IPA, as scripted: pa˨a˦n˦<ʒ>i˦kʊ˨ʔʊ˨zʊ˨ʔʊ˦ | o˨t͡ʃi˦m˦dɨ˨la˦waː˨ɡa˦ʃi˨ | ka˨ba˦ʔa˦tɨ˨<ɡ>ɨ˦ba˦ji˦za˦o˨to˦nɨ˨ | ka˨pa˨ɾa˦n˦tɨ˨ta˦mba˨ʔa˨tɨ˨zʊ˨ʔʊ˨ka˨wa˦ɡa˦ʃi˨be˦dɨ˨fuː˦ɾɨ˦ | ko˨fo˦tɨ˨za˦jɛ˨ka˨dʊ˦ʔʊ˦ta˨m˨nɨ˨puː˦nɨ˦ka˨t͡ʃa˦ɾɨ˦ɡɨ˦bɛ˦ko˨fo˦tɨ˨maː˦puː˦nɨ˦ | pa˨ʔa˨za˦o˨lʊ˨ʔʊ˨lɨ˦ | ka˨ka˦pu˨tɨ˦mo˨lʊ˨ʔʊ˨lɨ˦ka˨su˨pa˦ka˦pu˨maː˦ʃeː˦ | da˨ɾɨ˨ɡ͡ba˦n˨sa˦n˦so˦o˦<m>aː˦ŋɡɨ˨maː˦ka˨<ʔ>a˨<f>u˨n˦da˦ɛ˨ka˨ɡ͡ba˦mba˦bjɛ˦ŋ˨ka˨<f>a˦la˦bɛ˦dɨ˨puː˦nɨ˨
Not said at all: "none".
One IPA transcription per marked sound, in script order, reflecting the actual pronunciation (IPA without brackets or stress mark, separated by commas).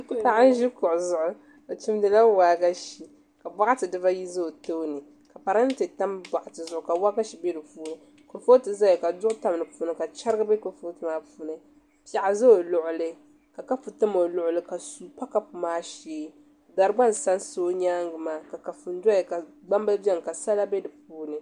ʒ, d, ɲ, k, f, s